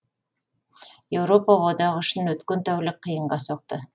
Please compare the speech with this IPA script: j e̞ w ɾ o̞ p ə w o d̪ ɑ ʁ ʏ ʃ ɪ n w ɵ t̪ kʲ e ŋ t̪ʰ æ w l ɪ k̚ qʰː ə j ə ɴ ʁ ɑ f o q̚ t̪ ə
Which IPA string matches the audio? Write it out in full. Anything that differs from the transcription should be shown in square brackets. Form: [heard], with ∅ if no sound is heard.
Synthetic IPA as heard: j e̞ w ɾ o̞ p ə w o d̪ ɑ ʁ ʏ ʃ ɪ n w ɵ t̪ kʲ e [n] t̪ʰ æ w l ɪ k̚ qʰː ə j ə ɴ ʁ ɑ [s] o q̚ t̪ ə